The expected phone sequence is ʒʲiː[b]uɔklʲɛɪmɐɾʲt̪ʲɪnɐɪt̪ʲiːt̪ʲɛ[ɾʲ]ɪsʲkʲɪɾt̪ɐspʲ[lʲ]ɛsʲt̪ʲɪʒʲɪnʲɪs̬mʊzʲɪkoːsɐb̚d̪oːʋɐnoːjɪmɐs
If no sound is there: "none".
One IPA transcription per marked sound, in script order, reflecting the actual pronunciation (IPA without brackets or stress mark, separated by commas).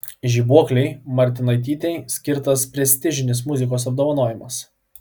b, none, ɾʲ